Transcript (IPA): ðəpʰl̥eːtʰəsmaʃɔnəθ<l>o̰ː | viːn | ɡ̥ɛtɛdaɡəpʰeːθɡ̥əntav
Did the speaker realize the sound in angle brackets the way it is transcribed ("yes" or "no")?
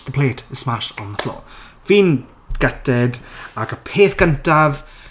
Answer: yes